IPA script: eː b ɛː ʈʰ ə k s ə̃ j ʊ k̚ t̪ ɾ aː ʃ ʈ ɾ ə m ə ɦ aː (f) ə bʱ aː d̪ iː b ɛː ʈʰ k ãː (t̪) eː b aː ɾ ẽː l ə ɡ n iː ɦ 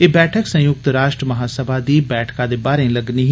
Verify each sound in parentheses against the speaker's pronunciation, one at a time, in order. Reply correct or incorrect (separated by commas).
incorrect, incorrect